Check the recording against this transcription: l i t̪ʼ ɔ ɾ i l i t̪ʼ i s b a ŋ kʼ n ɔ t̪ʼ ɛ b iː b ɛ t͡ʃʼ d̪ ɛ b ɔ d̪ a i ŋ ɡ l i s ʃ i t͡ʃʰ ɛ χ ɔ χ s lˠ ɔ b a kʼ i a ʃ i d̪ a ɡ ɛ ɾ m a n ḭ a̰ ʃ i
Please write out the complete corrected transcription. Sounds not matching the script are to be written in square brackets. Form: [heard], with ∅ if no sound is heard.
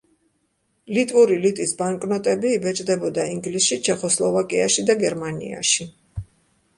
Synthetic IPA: l i t̪ʼ [u] ɾ i l i t̪ʼ i s b a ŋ kʼ n ɔ t̪ʼ ɛ b iː b ɛ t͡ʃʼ d̪ ɛ b ɔ d̪ a i ŋ ɡ l i s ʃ i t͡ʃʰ ɛ χ ɔ [∅] s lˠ ɔ [v] a kʼ i a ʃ i d̪ a ɡ ɛ ɾ m a n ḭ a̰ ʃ i